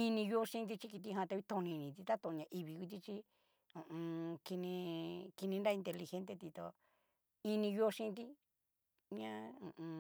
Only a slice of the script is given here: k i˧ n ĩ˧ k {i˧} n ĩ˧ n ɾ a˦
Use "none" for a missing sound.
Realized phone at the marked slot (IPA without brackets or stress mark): i˧